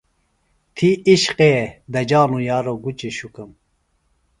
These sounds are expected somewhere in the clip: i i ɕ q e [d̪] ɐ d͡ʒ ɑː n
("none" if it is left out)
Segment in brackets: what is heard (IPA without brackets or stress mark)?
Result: d̪